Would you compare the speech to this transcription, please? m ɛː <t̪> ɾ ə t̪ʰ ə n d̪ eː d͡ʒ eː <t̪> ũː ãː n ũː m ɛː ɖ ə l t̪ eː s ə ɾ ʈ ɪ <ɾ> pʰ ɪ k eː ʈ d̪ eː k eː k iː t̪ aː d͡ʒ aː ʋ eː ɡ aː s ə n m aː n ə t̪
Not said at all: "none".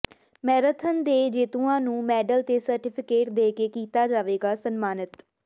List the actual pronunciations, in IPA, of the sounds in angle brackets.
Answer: none, t̪, none

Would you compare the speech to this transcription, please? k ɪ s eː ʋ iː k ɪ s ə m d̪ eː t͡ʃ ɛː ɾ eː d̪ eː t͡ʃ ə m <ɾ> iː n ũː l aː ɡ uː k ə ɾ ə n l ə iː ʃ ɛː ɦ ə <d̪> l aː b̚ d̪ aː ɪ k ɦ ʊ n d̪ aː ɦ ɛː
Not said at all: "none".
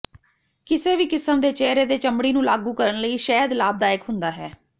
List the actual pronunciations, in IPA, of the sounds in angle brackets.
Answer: ɽ, d̪

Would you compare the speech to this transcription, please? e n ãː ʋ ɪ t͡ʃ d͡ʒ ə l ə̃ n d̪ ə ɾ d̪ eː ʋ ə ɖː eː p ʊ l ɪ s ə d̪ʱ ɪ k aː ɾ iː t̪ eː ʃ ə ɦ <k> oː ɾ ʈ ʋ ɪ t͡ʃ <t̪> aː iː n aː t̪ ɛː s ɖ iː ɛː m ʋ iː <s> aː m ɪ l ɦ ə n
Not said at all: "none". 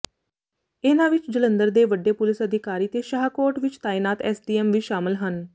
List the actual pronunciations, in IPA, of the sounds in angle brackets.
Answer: k, t̪, ʃ

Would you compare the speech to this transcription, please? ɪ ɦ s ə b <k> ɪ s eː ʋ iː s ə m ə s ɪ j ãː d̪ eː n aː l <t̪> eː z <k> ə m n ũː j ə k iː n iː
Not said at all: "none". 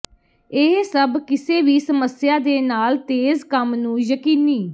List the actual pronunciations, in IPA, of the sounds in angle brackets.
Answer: k, t̪, k

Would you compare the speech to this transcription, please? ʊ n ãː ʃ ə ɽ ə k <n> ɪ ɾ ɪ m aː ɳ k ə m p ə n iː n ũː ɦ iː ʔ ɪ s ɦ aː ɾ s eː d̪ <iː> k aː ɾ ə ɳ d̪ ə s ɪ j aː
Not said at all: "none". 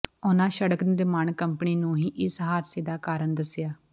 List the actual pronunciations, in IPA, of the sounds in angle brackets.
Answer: n, aː

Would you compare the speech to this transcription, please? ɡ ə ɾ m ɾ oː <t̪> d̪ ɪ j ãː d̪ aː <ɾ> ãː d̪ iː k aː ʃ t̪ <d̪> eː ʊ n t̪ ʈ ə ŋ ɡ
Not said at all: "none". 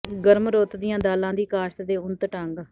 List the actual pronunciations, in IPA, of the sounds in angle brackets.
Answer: t̪, l, d̪

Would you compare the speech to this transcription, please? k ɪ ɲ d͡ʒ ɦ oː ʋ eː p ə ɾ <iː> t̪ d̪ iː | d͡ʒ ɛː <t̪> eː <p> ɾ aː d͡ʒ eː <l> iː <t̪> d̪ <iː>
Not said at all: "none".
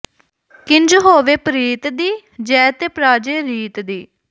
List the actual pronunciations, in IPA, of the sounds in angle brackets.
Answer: iː, t̪, p, ɾ, t̪, iː

